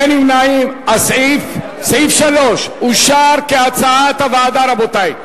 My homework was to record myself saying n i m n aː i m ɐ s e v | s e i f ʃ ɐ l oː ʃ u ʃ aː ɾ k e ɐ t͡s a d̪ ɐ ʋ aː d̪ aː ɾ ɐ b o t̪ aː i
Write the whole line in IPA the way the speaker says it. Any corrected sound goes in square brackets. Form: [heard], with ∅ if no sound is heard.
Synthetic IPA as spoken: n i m n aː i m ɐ s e [f] | s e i f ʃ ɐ l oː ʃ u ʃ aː ɾ k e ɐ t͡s a [t̪] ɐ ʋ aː d̪ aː ɾ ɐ b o t̪ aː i